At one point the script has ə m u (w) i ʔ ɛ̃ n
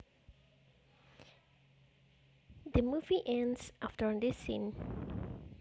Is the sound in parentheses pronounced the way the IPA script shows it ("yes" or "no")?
no